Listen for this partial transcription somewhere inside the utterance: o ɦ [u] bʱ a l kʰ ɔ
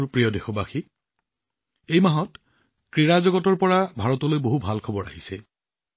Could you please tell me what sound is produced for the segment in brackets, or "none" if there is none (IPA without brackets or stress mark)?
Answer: u